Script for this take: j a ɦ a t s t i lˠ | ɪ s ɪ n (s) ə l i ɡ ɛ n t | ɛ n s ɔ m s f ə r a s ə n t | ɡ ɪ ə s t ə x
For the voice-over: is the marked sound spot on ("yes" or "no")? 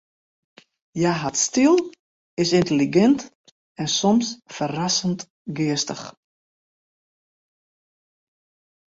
no